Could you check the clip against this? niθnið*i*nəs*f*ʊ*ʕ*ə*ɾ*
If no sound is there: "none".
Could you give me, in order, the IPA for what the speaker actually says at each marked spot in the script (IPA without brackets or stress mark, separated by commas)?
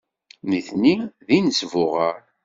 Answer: i, v, ʁ, ɾ